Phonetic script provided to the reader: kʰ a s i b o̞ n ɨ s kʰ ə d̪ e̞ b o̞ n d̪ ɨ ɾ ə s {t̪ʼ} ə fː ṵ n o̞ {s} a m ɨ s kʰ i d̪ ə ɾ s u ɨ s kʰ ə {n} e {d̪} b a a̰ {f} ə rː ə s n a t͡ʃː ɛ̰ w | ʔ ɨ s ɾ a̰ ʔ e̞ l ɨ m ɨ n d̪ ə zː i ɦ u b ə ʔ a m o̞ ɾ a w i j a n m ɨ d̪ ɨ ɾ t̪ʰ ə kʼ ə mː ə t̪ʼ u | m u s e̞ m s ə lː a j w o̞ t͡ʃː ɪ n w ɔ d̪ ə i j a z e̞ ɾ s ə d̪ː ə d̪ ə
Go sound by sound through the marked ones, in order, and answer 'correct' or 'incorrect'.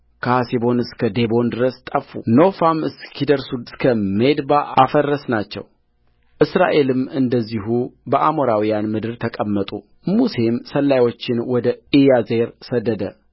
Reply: correct, incorrect: f, incorrect: m, correct, correct

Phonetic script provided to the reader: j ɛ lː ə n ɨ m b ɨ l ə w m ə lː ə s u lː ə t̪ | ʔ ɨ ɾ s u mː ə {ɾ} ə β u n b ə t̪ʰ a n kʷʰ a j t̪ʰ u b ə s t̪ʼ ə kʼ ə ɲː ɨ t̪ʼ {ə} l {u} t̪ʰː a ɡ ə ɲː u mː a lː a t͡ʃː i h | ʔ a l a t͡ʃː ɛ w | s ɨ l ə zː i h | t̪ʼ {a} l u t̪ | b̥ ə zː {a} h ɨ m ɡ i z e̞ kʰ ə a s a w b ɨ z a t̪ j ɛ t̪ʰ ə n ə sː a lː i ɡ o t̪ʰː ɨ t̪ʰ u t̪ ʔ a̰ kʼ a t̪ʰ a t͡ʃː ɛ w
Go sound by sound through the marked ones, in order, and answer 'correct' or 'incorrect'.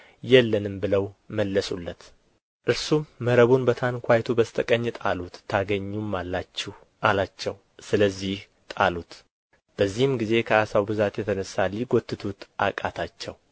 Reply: correct, incorrect: a, correct, correct, incorrect: i

